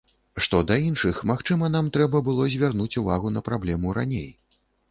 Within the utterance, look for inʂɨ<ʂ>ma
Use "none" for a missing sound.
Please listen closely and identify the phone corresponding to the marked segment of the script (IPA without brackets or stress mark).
x